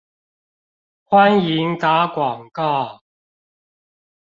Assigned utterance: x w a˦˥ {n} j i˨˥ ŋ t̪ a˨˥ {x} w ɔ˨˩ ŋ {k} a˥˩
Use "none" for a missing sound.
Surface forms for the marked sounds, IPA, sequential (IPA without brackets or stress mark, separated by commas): n, k, k